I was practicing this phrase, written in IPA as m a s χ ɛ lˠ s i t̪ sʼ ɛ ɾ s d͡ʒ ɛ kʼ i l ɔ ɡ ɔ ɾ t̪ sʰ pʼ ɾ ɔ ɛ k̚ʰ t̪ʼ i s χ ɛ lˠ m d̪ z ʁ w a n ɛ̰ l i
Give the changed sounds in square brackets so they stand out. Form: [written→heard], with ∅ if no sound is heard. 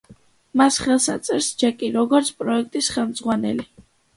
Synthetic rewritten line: m a s χ ɛ lˠ s [i→a] t̪ sʼ ɛ ɾ s d͡ʒ ɛ kʼ i [l→ɾ] ɔ ɡ ɔ ɾ t̪ sʰ pʼ ɾ ɔ ɛ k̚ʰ t̪ʼ i s χ ɛ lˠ m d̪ z ʁ w a n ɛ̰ l i